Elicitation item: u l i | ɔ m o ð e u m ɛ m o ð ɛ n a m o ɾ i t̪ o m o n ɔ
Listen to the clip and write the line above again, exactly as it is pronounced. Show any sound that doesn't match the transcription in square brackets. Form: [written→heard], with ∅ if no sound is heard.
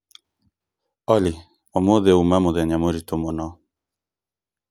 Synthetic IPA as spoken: [u→ɔ] l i | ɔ m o ð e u m [ɛ→a] m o ð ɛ [n→ɲ] a m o ɾ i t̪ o m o n ɔ